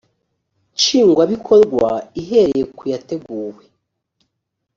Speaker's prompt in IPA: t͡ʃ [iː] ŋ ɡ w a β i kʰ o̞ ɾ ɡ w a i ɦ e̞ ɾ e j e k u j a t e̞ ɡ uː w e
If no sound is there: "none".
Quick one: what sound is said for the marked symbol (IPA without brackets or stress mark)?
iː